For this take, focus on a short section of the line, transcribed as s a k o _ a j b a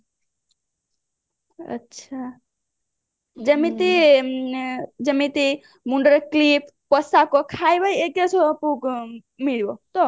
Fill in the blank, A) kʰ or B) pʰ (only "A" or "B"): A